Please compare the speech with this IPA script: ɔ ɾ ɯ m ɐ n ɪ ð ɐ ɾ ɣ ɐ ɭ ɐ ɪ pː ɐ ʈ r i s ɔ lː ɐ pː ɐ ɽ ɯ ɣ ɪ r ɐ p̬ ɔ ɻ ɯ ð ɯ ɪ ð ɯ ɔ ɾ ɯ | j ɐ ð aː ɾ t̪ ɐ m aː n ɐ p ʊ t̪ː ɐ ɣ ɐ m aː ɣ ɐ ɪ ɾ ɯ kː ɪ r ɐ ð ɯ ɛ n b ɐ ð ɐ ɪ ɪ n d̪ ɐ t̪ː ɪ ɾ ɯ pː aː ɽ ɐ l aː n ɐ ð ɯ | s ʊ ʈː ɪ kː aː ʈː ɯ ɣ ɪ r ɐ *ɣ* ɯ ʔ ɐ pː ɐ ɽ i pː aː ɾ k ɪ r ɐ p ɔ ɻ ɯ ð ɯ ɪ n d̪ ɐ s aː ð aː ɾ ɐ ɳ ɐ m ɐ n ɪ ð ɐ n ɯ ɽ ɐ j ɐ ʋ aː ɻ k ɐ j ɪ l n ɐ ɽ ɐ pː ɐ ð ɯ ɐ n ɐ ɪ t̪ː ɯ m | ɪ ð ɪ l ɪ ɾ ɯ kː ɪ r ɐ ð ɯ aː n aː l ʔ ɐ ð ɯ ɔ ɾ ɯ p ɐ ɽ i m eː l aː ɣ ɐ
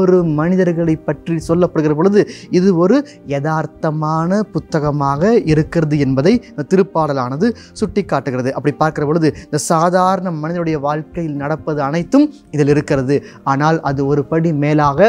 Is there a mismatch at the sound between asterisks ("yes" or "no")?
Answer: yes